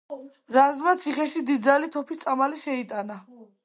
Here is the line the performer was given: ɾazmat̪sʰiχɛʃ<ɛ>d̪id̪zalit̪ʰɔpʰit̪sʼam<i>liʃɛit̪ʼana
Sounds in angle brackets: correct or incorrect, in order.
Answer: incorrect: i, incorrect: a

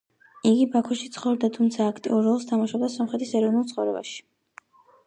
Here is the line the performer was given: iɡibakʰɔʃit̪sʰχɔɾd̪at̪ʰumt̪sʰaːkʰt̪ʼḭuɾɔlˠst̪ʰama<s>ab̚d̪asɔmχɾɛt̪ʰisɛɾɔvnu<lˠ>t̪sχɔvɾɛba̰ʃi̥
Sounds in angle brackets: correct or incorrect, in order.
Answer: incorrect: ʃ, correct

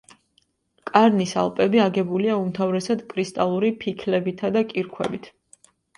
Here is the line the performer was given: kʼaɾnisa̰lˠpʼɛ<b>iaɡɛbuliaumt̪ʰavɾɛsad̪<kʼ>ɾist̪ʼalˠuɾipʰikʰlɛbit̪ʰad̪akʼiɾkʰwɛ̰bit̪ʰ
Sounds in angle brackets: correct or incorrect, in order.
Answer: correct, correct

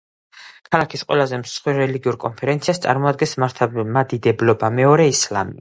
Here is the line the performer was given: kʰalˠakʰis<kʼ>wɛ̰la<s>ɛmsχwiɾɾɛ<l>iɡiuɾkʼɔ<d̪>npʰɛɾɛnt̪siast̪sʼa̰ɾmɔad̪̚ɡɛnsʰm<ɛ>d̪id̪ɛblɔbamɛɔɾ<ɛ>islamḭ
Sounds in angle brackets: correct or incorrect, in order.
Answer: incorrect: qʼ, incorrect: z, correct, incorrect: none, incorrect: a, correct

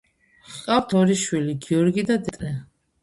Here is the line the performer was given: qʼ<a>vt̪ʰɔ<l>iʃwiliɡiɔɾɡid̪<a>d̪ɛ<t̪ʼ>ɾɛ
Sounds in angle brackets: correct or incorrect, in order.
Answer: correct, incorrect: ɾ, correct, correct

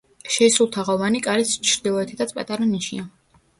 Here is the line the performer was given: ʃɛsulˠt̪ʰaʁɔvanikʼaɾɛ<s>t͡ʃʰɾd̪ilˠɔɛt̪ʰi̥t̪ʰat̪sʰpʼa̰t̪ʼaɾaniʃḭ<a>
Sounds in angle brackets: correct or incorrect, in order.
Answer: correct, correct

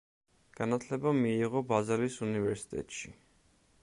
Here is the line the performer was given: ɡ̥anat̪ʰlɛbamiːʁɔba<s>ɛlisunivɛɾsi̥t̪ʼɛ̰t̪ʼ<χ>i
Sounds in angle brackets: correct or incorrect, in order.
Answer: incorrect: z, incorrect: ʃ

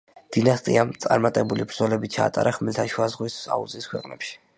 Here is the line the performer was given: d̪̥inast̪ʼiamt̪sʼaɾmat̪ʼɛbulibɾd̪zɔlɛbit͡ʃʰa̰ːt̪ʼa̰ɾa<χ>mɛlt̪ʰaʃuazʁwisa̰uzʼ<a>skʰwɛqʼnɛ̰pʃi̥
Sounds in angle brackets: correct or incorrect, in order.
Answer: correct, incorrect: i

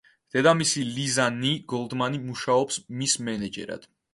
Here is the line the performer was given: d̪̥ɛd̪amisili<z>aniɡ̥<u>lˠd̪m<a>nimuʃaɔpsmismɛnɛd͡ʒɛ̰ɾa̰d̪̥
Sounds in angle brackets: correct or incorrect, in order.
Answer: correct, incorrect: ɔ, correct

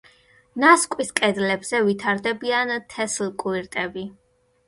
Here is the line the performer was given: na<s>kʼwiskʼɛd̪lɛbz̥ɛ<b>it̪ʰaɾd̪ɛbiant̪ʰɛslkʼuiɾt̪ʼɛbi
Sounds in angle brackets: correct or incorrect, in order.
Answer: correct, incorrect: v

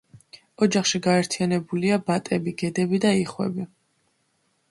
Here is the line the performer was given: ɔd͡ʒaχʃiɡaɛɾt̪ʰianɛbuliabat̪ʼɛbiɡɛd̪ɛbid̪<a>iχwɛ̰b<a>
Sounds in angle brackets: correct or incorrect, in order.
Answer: correct, incorrect: i

